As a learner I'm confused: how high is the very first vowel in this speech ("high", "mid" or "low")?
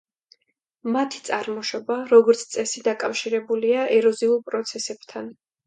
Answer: low